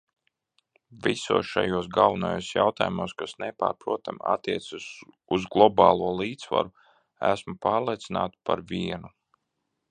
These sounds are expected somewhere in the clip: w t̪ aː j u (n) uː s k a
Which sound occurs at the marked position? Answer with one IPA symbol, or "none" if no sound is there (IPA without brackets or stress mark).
m